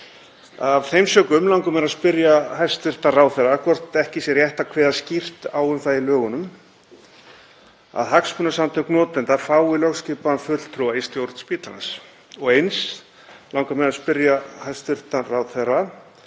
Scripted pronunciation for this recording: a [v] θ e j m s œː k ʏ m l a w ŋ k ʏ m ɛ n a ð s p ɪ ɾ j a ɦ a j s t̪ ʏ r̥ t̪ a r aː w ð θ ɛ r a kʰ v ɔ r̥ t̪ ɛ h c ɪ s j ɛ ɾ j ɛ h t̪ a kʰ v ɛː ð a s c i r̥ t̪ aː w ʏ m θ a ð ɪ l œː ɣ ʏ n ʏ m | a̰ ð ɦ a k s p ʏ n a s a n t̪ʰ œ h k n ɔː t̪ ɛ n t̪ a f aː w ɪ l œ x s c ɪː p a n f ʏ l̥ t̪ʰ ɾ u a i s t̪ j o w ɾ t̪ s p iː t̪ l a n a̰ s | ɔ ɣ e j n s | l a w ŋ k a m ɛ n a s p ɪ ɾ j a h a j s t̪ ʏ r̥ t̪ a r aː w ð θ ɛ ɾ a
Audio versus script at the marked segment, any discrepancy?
no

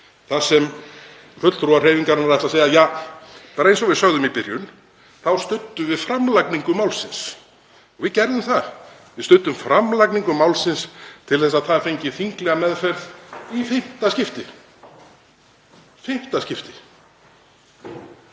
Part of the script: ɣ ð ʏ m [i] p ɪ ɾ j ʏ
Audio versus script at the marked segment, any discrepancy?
no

